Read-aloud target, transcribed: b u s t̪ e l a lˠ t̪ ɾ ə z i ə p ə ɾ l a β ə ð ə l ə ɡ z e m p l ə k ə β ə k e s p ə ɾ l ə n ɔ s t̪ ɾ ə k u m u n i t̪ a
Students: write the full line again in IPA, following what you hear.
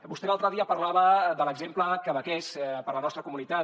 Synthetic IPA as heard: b u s t̪ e l a lˠ t̪ ɾ ə ð i ə p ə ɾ l a β ə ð ə l ə ɡ z e m p l ə k ə β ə k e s p ə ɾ l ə n ɔ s t̪ ɾ ə k u m u n i t̪ a